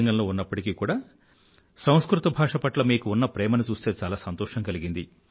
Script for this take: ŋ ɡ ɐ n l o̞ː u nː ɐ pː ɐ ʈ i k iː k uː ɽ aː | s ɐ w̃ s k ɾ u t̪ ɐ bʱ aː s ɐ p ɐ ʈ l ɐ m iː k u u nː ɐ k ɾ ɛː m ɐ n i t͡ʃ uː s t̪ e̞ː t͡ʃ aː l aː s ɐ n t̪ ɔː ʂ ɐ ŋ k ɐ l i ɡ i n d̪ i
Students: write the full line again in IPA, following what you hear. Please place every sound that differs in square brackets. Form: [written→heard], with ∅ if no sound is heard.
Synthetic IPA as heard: ŋ ɡ ɐ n l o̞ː u nː ɐ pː ɐ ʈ i k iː k uː ɽ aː | s ɐ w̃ s k ɾ u t̪ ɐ bʱ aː [s→ʂ] ɐ p ɐ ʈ l ɐ m iː k u u nː ɐ [k→p] ɾ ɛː m ɐ n i t͡ʃ uː s t̪ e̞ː t͡ʃ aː l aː s ɐ n t̪ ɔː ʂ ɐ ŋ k ɐ l i ɡ i n d̪ i

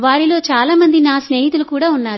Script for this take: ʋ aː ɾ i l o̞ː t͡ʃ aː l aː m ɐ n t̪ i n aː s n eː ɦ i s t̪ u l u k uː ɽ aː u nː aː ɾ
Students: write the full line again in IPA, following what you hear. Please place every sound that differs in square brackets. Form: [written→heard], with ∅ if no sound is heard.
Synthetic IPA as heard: ʋ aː ɾ i l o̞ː t͡ʃ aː l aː m ɐ n [t̪→d̪] i n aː s n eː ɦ i [s→∅] t̪ u l u k uː ɽ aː u nː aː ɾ

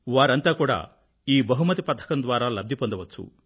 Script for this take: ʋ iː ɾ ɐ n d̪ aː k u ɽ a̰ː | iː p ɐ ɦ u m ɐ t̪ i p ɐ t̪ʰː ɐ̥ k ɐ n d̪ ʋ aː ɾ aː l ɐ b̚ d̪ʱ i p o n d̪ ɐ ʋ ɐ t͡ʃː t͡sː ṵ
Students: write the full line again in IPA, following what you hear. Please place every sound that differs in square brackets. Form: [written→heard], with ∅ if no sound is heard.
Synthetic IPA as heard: ʋ [iː→aː] ɾ ɐ n [d̪→t̪] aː k [u→uː] ɽ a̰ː | iː [p→b] ɐ ɦ u m ɐ t̪ i p ɐ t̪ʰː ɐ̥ k ɐ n d̪ ʋ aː ɾ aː l ɐ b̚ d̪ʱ i p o n d̪ ɐ ʋ ɐ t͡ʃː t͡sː ṵ

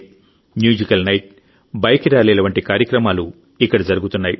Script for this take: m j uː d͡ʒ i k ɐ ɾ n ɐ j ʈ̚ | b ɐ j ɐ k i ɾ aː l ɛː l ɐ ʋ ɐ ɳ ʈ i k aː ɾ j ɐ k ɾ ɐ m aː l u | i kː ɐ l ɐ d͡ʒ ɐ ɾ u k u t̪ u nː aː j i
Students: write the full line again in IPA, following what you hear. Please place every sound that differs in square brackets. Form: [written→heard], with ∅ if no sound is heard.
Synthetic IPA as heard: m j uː d͡ʒ i k ɐ [ɾ→l] n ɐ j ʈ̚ | b ɐ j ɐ k i ɾ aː l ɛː l ɐ ʋ ɐ ɳ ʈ i k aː ɾ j ɐ k ɾ ɐ m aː l u | i kː ɐ [l→ɽ] ɐ d͡ʒ ɐ ɾ u [k→ɡ] u t̪ u nː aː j i

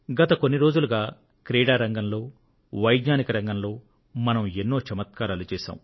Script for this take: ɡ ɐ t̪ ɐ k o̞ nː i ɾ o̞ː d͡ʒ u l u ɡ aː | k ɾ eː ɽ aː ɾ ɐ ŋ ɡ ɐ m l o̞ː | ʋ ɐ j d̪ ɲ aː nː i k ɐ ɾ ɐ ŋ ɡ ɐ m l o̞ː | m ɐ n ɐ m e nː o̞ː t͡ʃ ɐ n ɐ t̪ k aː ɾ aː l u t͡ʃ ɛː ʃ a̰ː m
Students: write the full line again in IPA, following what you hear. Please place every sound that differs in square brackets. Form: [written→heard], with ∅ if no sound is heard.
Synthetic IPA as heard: ɡ ɐ t̪ ɐ k o̞ nː i ɾ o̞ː d͡ʒ u l u ɡ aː | k ɾ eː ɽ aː ɾ ɐ ŋ ɡ ɐ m l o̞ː | ʋ ɐ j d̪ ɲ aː [nː→n] i k ɐ ɾ ɐ ŋ ɡ ɐ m l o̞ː | m ɐ n ɐ m e nː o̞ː t͡ʃ ɐ [n→m] ɐ t̪ k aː ɾ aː l u t͡ʃ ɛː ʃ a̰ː m

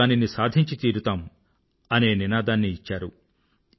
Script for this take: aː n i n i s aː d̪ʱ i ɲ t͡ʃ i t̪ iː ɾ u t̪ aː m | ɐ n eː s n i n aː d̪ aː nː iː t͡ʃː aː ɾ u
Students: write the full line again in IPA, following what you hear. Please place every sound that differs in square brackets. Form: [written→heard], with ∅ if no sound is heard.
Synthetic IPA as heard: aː n i n i s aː d̪ʱ i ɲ t͡ʃ i t̪ iː ɾ u t̪ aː m | ɐ n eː [s→∅] n i n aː d̪ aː nː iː t͡ʃː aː ɾ u

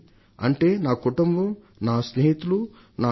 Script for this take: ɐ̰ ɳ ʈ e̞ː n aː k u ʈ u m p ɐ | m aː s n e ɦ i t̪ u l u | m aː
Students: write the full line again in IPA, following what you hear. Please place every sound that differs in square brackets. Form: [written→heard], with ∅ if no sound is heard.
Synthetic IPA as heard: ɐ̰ ɳ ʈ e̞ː n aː k u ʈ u m [p→b] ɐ | [m→n] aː s n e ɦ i t̪ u l u | [m→n] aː

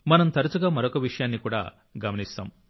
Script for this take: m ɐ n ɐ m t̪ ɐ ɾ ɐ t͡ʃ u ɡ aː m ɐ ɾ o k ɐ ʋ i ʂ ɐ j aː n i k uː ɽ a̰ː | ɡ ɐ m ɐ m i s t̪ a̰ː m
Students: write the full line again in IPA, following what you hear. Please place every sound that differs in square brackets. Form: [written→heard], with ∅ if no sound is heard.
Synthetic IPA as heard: m ɐ n ɐ m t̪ ɐ ɾ ɐ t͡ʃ u ɡ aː m ɐ ɾ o k ɐ ʋ i ʂ ɐ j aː [n→nː] i k uː ɽ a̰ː | ɡ ɐ m ɐ [m→n] i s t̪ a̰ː m

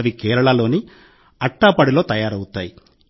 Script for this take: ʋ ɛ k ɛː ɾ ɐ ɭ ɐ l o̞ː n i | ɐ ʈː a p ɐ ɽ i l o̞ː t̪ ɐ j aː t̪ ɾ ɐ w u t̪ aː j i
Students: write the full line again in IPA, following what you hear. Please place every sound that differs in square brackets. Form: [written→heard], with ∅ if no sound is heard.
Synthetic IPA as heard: ʋ [ɛ→i] k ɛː ɾ ɐ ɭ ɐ l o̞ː n i | ɐ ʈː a p ɐ ɽ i l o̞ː t̪ ɐ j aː [t̪→∅] ɾ ɐ w u t̪ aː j i

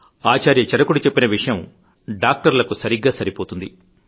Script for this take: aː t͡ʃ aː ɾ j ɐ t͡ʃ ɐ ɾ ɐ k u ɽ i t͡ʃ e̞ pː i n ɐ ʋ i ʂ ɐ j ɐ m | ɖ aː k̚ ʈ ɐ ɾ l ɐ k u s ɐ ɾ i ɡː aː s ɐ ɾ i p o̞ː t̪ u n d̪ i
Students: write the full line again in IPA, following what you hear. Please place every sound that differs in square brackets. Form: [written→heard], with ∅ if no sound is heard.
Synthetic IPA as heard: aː t͡ʃ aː ɾ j ɐ t͡ʃ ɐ ɾ ɐ k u ɽ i t͡ʃ e̞ pː i n ɐ ʋ i ʂ ɐ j ɐ m | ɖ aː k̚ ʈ ɐ ɾ l ɐ k u s ɐ ɾ i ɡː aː s ɐ ɾ i p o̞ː t̪ u n d̪ i

